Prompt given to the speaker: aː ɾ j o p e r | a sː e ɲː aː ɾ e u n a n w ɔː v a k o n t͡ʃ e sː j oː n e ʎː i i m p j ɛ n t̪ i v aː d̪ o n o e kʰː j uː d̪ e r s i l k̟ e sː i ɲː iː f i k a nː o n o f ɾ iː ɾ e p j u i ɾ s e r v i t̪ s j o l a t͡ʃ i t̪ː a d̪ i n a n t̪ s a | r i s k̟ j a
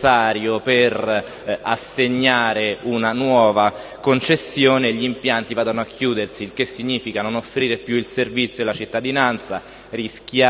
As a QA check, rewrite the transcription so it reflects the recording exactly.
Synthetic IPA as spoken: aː ɾ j o p e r | a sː e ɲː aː ɾ e u n a n w ɔː v a k o n t͡ʃ e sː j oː n e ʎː i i m p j a n t̪ i v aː d̪ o n o a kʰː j uː d̪ e r s i l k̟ e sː i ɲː iː f i k a n o n o f ɾ iː ɾ e p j u i l s e r v i t̪ s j o l a t͡ʃ i t̪ː a d̪ i n a n t̪ s a | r i s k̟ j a

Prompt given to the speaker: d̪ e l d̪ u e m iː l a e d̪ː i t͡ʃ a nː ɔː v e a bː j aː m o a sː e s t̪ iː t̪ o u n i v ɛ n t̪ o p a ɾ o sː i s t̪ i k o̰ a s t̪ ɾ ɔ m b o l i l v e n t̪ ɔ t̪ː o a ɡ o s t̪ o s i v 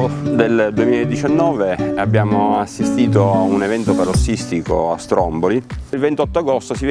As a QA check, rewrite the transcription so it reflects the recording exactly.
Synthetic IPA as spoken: d̪ e l d̪ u e m iː l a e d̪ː i t͡ʃ a nː ɔː v e a bː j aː m o a sː i s t̪ iː t̪ o u n e v ɛ n t̪ o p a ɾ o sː i s t̪ i k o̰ a s t̪ ɾ ɔ m b o l i l v e n t̪ ɔ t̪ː o a ɡ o s t̪ o s i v

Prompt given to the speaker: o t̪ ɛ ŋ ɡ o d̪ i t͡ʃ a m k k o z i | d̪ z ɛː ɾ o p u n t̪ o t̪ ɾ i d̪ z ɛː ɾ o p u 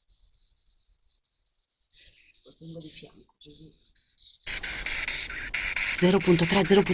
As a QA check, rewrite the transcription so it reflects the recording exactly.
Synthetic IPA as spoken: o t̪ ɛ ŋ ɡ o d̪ i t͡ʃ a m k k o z i | d̪ z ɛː ɾ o p u n t̪ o t̪ ɾ ɛ d̪ z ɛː ɾ o p u

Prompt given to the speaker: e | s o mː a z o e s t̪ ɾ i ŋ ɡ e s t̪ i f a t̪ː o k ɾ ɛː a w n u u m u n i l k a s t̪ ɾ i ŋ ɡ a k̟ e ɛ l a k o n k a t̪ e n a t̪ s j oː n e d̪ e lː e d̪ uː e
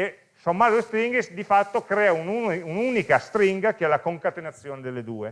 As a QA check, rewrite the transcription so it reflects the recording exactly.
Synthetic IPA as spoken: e | s o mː a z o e s t̪ ɾ i ŋ ɡ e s d̪ i f a t̪ː o k ɾ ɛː a u n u u n u n i k a s t̪ ɾ i ŋ ɡ a k̟ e ɛ l a k o ŋ k a t̪ e n a t̪ sː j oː n e d̪ e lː e d̪ uː e

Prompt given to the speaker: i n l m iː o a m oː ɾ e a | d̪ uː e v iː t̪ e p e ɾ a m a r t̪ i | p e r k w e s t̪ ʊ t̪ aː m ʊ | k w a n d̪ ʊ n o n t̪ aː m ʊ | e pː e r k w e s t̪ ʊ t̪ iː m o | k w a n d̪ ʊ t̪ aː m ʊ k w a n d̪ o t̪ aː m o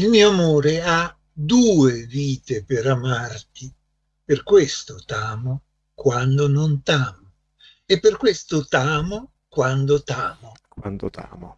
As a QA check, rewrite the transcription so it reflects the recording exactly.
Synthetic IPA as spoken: i l m iː o a m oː ɾ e a | d̪ uː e v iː t̪ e p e ɾ a m a r t̪ i | p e r k w e s t̪ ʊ t̪ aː m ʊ | k w a n d̪ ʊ n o n t̪ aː m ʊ | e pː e r k w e s t̪ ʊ t̪ aː m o | k w a n d̪ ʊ t̪ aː m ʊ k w a n d̪ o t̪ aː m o

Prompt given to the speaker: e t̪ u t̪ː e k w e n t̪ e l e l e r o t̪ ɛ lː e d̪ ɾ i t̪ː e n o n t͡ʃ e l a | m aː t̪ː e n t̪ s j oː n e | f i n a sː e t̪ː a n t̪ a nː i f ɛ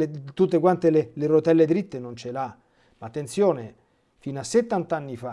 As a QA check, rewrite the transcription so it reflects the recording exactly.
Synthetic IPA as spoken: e t̪ u t̪ː e k w a n t̪ e l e l e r o t̪ ɛ lː e d̪ ɾ i t̪ː e n o n t͡ʃ e l a | m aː t̪ː e n t̪ s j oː n e | f i n a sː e t̪ː a n t̪ a nː i f a

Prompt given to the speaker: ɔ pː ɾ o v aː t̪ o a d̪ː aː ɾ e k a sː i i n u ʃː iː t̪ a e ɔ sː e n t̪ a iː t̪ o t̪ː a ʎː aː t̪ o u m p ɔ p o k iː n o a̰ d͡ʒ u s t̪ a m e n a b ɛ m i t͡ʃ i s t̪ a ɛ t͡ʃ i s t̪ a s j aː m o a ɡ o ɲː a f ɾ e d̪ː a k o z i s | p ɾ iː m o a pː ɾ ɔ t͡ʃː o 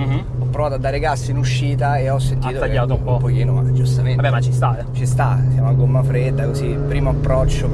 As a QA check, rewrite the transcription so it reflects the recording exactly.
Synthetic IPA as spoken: ɔ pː ɾ o v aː t̪ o a d̪ː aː ɾ e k a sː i i n u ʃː iː t̪ a e ɔ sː e n t̪ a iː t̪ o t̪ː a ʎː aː t̪ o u m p ɔ p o k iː n o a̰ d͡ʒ u s t̪ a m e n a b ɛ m a t͡ʃ i s t̪ a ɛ t͡ʃ i s t̪ a s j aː m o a ɡ o mː a f ɾ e d̪ː a k o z i | p ɾ iː m o a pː ɾ ɔ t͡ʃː o

